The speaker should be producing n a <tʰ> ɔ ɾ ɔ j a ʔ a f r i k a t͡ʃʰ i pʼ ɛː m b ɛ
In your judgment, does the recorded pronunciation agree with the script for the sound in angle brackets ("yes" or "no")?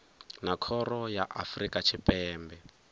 no